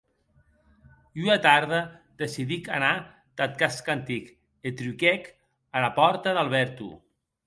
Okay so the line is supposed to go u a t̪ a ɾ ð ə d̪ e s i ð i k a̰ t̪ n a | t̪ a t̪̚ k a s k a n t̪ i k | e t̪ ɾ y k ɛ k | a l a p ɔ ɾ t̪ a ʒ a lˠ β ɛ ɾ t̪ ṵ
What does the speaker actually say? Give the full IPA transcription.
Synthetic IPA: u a t̪ a ɾ ð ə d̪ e s i ð i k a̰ n a | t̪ a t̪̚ k a s k a n t̪ i k | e t̪ ɾ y k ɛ k | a l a p ɔ ɾ t̪ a ð a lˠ β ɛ ɾ t̪ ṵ

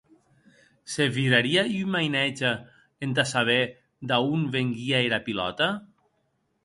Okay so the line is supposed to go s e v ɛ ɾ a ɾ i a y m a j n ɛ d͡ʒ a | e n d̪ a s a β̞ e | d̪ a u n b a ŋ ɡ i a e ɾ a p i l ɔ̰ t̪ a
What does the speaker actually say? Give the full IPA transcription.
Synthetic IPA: s e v i ɾ a ɾ i a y m a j n ɛ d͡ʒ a | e n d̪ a s a β̞ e | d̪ a u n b e ŋ ɡ i a e ɾ a p i l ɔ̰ t̪ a

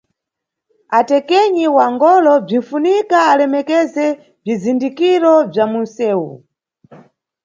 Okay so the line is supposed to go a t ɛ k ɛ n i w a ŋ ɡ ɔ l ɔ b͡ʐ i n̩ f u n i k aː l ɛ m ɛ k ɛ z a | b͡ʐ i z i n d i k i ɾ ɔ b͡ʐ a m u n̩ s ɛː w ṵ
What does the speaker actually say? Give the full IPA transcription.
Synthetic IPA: a t ɛ k ɛ ɲ i w a ŋ ɡ ɔ l ɔ b͡ʐ i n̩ f u n i k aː l ɛ m ɛ k ɛ z ɛ | b͡ʐ i z i n d i k i ɾ ɔ b͡ʐ a m u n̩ s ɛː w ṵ

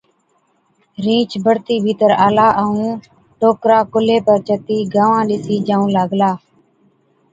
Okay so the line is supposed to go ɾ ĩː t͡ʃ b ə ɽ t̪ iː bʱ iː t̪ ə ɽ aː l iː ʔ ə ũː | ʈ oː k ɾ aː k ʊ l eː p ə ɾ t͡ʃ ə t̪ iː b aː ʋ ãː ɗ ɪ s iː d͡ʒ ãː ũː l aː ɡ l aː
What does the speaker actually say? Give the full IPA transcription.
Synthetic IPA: ɾ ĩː t͡ʃ b ə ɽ t̪ iː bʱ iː t̪ ə ɾ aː l aː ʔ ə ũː | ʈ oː k ɾ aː k ʊ l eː p ə ɾ t͡ʃ ə t̪ iː ɡ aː ʋ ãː ɗ ɪ s iː d͡ʒ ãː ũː l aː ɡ l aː

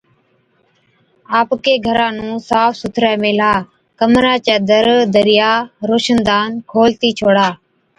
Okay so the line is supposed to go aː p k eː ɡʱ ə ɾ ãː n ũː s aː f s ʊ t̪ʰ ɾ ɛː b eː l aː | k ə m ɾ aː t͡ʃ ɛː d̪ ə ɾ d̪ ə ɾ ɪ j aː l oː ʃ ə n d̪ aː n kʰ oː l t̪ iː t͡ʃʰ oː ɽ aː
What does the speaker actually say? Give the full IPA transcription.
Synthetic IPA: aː p k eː ɡʱ ə ɾ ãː n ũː s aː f s ʊ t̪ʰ ɾ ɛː m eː l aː | k ə m ɾ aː t͡ʃ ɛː d̪ ə ɾ d̪ ə ɾ ɪ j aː ɾ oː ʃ ə n d̪ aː n kʰ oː l t̪ iː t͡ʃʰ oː ɽ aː

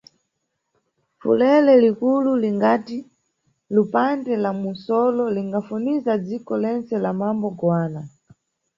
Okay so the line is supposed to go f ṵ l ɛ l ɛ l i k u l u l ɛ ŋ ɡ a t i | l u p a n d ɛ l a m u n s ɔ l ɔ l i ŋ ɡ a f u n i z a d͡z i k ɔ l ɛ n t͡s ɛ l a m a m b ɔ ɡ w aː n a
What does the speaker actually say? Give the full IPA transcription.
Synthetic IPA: f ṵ l ɛ l ɛ l i k u l u l i ŋ ɡ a t i | l u p a n d ɛ l a m u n s ɔ l ɔ l i ŋ ɡ a f u n i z a d͡z i k ɔ l ɛ n t͡s ɛ l a m a m b ɔ ɡ w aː n a

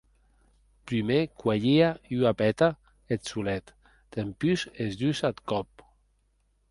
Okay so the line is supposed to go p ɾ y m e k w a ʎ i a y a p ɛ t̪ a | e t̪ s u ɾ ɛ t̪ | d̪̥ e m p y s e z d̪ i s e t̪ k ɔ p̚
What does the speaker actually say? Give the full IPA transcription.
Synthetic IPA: p ɾ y m e k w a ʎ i a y a p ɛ t̪ a | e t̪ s u l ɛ t̪ | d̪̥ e m p y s e z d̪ y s a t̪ k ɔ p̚

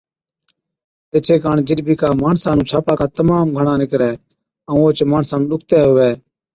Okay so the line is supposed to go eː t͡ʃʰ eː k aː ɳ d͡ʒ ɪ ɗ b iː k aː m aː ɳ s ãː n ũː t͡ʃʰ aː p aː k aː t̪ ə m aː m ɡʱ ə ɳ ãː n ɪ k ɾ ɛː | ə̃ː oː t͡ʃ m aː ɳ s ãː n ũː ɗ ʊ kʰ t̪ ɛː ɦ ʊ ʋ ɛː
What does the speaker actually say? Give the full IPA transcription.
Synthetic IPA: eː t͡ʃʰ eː k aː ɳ d͡ʒ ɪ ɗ b iː k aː m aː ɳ s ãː n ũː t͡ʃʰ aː p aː k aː t̪ ə m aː m ɡʱ ə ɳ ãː n ɪ k ɾ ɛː | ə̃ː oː t͡ʃ m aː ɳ s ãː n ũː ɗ ʊ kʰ t̪ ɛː ɦ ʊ ʋ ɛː

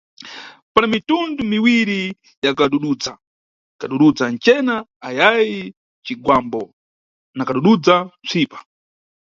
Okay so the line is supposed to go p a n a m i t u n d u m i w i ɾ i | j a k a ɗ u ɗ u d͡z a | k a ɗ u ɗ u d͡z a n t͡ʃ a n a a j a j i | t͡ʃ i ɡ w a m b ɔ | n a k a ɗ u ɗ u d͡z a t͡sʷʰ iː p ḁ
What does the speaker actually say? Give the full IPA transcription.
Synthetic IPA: p a n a m i t u n d u m i w i ɾ i | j a k a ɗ u ɗ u d͡z a | k a ɗ u ɗ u d͡z a n t͡ʃ ɛ n a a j a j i | t͡ʃ i ɡ w a m b ɔ | n a k a ɗ u ɗ u d͡z a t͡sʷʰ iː p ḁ

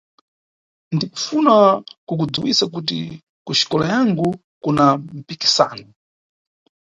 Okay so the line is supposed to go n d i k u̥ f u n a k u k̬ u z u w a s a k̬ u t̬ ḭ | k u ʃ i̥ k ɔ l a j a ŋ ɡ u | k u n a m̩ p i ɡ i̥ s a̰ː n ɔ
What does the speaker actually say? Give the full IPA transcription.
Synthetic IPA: n d i k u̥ f u n a k u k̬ u d͡z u w i s a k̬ u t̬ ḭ | k u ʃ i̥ k ɔ l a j a ŋ ɡ u | k u n a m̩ p i k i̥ s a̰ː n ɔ

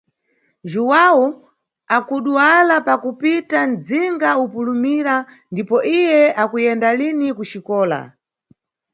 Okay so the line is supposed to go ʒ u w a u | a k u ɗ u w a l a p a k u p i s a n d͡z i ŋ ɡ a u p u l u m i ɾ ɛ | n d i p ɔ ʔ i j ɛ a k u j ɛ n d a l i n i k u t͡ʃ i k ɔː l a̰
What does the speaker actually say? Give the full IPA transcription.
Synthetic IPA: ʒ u w a u | a k u ɗ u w a l a p a k u p i t a n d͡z i ŋ ɡ a u p u l u m i ɾ a | n d i p ɔ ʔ i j ɛ a k u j ɛ n d a l i n i k u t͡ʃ i k ɔː l a̰

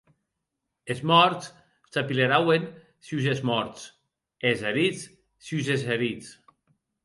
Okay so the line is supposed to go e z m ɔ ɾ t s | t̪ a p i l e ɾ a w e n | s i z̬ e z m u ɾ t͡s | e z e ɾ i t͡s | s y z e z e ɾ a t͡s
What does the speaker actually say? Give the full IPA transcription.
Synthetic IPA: e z m ɔ ɾ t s | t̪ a p i l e ɾ a w e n | s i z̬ e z m ɔ ɾ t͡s | e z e ɾ i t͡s | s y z e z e ɾ i t͡s

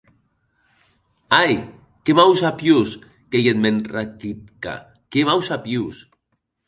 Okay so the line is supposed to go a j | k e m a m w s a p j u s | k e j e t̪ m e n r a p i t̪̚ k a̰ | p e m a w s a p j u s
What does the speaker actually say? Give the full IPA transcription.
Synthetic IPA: a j | k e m a w s a p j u s | k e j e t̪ m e n r a k i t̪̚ k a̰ | k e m a w s a p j u s

